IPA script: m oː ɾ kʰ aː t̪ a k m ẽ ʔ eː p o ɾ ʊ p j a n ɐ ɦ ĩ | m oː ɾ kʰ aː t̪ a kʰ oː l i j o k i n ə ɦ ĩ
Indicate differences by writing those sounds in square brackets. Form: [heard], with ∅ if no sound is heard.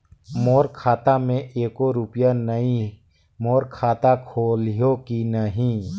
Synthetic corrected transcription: m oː ɾ kʰ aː t̪ a [∅] m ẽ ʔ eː [k] o ɾ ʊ p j a n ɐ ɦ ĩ | m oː ɾ kʰ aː t̪ a kʰ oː l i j o k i n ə ɦ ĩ